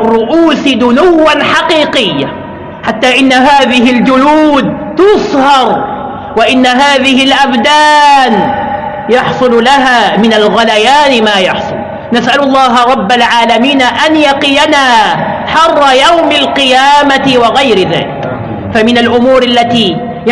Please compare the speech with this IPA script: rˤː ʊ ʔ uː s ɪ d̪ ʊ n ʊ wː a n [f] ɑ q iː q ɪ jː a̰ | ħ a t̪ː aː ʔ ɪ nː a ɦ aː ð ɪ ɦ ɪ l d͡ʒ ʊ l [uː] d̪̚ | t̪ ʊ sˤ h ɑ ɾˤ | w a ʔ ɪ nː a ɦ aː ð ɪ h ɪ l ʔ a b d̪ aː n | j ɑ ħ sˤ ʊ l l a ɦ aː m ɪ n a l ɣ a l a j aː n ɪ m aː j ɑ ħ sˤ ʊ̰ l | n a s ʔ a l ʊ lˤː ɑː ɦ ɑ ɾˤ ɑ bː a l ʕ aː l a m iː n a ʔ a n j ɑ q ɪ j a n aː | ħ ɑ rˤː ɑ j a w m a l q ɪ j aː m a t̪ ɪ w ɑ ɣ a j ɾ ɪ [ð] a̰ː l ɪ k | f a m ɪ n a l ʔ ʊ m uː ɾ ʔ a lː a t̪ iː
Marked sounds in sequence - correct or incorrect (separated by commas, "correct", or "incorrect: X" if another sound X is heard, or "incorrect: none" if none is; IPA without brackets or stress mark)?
incorrect: ħ, correct, correct